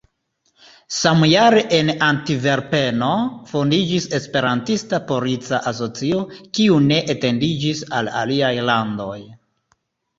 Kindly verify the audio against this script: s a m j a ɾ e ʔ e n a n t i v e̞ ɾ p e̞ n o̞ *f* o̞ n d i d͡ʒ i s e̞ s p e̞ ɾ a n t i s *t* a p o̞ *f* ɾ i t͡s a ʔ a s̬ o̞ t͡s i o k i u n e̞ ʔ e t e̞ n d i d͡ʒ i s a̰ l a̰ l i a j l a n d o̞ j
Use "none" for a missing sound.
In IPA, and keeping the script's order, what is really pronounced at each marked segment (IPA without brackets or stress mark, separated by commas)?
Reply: f, t, none